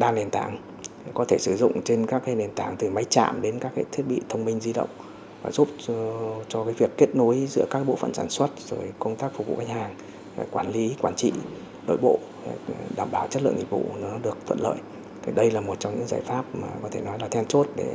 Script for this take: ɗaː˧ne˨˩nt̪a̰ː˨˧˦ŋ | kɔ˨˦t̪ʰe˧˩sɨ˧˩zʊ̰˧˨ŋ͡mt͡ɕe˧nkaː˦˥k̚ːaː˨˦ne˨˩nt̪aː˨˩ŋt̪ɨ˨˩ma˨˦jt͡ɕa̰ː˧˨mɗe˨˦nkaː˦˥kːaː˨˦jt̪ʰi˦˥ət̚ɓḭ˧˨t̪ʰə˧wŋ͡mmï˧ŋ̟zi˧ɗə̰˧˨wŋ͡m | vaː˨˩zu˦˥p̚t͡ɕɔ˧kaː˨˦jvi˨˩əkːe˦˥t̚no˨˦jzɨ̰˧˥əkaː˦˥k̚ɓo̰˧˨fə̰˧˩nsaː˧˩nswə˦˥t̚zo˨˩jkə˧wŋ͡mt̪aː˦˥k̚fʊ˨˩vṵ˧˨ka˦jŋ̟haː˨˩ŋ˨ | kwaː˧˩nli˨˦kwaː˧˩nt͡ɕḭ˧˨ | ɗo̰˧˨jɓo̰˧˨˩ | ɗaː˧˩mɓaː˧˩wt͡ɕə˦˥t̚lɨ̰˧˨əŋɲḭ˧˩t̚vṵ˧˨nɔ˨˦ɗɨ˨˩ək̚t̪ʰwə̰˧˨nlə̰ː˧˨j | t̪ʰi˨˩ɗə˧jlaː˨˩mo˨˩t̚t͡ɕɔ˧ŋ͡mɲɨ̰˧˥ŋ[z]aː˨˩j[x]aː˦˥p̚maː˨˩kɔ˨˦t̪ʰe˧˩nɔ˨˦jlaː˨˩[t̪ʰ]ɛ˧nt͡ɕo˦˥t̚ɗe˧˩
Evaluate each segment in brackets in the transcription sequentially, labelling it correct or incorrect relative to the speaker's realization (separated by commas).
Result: correct, incorrect, correct